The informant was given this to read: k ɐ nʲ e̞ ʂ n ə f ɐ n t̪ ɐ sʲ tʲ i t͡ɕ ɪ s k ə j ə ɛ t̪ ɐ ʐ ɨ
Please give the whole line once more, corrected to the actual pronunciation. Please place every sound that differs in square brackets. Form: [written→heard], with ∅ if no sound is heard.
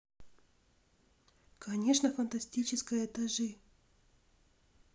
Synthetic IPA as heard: k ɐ nʲ e̞ ʂ n ə f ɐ n t̪ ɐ sʲ tʲ i t͡ɕ ɪ s k ə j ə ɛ t̪ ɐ ʐ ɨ